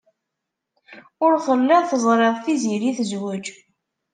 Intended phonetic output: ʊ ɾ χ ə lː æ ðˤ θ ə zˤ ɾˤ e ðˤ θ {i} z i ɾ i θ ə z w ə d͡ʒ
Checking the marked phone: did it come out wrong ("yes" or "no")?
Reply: no